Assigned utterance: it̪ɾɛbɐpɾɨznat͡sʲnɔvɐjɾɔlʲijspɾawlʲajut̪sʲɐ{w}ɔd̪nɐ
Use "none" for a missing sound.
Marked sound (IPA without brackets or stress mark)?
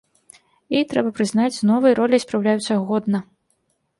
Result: ɣ